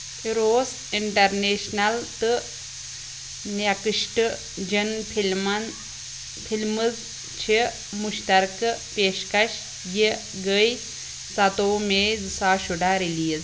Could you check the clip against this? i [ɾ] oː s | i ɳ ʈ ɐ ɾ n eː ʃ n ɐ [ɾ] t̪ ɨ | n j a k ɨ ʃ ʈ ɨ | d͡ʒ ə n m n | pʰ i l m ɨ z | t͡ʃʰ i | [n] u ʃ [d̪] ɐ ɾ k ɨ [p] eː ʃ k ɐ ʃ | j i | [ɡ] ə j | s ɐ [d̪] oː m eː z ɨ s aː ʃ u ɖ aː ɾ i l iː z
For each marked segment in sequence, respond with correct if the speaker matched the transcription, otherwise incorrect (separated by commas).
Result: correct, incorrect, incorrect, incorrect, correct, correct, incorrect